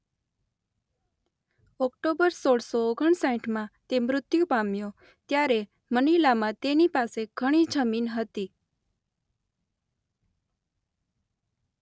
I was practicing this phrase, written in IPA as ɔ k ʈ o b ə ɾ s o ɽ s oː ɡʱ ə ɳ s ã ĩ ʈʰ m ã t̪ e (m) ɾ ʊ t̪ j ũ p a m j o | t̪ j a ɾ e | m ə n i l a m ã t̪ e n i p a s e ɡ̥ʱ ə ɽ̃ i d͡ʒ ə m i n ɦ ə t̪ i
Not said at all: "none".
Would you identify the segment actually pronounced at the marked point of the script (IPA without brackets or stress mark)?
m